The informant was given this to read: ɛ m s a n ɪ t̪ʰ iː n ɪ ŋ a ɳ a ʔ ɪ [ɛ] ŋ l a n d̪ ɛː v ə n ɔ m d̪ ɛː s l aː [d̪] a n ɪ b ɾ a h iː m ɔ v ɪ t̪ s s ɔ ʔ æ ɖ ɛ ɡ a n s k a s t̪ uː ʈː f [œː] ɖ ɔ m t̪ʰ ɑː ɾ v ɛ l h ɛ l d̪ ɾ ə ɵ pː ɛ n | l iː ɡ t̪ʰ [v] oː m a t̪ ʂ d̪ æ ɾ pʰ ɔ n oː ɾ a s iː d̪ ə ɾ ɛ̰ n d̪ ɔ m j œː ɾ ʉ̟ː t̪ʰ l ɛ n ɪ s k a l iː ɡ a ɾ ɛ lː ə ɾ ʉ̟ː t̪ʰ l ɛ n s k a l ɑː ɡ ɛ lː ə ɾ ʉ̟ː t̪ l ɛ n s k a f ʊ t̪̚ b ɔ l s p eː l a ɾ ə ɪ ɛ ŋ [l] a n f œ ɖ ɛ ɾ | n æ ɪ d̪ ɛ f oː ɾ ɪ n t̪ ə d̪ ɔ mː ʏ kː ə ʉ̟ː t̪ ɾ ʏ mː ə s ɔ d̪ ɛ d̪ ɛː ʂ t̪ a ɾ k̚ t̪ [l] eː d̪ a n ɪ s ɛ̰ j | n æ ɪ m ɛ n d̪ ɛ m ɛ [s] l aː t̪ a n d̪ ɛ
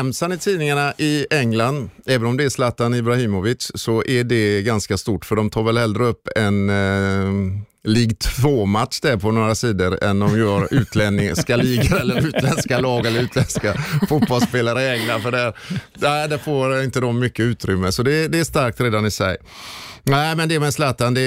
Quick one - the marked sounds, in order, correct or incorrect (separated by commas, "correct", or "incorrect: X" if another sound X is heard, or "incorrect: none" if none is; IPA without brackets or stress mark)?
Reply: correct, incorrect: t̪, incorrect: œ, correct, correct, incorrect: ɾ, correct